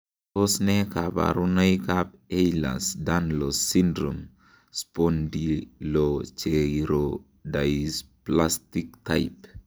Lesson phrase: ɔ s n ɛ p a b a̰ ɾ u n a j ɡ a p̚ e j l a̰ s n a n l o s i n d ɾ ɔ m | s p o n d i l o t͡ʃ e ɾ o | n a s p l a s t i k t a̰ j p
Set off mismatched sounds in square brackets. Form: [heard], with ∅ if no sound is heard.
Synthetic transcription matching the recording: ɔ s n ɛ [k] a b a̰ ɾ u n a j [k] a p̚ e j l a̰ s [d] a n l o s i n d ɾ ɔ m | s p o n d i l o t͡ʃ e ɾ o | [d] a s p l a s t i k t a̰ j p